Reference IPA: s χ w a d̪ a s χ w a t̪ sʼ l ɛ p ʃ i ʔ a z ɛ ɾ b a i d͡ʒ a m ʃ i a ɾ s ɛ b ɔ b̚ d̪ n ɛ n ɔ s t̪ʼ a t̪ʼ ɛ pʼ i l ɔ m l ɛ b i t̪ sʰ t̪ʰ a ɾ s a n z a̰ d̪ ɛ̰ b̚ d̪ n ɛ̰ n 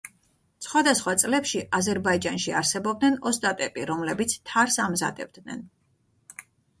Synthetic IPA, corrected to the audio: s χ w a d̪ a s χ w a t̪ sʼ l ɛ p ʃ i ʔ a z ɛ ɾ b a i d͡ʒ a n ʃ i a ɾ s ɛ b ɔ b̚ d̪ n ɛ n ɔ s t̪ʼ a t̪ʼ ɛ pʼ i ɾ ɔ m l ɛ b i t̪ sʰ t̪ʰ a ɾ s a m z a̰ d̪ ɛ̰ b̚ d̪ n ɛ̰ n